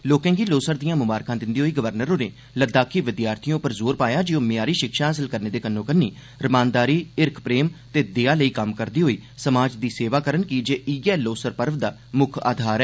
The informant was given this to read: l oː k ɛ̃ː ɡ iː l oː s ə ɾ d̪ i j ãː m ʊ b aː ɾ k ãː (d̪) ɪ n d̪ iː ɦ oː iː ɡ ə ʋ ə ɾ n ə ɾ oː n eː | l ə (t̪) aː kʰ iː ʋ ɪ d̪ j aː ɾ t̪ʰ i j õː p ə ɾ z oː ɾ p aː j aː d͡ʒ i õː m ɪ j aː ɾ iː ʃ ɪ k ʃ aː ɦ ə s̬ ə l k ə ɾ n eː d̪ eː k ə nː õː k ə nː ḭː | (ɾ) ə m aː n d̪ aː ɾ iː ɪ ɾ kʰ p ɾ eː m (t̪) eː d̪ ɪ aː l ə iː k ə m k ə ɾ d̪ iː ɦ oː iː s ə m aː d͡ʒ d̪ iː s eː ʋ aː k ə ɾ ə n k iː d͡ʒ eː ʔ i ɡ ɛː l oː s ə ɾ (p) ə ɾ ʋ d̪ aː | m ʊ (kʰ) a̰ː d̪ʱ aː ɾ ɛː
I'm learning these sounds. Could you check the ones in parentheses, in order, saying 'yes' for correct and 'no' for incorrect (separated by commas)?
yes, no, yes, yes, yes, yes